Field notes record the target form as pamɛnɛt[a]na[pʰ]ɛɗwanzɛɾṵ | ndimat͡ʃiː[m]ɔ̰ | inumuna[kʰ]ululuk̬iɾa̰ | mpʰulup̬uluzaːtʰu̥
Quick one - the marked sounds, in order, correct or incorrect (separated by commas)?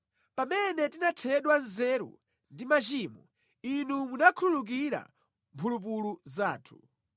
incorrect, incorrect, correct, correct